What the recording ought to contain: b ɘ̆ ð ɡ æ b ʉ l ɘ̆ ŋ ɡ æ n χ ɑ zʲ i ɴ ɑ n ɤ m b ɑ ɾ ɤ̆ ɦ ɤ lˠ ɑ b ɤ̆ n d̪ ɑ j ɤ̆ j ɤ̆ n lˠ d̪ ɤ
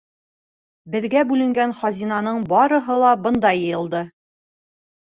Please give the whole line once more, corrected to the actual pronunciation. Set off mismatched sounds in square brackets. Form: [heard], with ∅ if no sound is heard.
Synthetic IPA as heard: b ɘ̆ ð ɡ æ b ʉ l ɘ̆ ŋ ɡ æ n χ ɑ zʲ i [n] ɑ n ɤ [ɴ] b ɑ ɾ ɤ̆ ɦ ɤ lˠ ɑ b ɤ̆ n d̪ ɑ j ɤ̆ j ɤ̆ [∅] lˠ d̪ ɤ